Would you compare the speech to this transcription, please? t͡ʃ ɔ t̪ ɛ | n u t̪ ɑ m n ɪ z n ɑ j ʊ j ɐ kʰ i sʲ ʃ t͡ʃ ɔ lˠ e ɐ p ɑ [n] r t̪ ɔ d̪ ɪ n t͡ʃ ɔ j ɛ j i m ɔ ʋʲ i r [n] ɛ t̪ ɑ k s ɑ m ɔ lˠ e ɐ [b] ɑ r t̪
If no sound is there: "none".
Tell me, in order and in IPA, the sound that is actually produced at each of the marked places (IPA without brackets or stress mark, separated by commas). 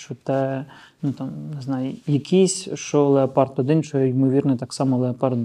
none, n, p